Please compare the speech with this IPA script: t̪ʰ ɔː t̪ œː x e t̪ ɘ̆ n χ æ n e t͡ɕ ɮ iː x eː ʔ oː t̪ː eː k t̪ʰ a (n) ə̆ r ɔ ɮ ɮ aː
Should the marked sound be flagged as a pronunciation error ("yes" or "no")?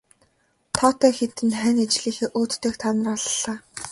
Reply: no